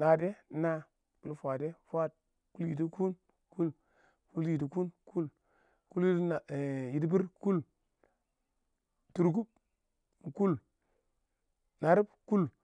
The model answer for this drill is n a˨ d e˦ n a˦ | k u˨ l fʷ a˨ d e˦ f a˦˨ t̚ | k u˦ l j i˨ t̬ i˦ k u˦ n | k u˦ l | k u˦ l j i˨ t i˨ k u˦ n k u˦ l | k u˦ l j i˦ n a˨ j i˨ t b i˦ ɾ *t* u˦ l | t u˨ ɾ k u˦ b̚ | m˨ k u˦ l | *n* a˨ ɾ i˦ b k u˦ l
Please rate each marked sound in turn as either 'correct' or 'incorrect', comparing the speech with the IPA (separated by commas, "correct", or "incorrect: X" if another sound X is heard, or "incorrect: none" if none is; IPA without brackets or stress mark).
incorrect: k, correct